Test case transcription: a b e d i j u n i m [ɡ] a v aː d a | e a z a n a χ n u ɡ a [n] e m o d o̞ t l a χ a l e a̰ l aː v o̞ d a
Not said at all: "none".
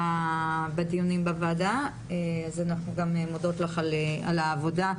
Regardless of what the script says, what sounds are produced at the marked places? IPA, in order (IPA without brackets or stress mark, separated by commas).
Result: b, m